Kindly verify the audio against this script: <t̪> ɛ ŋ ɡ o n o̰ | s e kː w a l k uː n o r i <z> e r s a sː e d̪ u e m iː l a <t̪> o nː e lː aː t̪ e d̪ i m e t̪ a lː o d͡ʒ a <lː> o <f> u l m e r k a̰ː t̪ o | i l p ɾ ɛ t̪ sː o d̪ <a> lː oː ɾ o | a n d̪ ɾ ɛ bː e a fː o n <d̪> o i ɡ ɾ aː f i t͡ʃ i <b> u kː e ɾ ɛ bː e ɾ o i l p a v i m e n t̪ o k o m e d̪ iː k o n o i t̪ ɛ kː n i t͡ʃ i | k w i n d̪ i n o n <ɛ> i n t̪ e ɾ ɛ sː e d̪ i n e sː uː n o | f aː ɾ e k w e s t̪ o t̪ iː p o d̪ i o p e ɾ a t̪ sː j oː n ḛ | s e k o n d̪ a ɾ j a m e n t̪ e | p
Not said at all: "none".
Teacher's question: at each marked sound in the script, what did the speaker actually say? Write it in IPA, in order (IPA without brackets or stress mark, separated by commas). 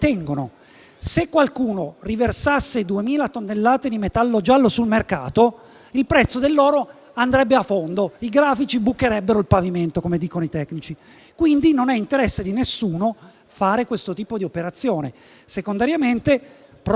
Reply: t̪, v, t̪, lː, s, e, d̪, b, ɛ